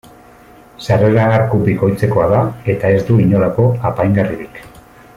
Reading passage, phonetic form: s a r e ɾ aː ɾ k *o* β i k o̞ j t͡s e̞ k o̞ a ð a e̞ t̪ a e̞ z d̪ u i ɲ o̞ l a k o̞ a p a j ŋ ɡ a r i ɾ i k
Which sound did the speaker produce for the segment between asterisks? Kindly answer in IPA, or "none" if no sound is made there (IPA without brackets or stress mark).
u